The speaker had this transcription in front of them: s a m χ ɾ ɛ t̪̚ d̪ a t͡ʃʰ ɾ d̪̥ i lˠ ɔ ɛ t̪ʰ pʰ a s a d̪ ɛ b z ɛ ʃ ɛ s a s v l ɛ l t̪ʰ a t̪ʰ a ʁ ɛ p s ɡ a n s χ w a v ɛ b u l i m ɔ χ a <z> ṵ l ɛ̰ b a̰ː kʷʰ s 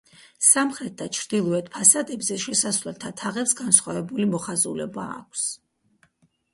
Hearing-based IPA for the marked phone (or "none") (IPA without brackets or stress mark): z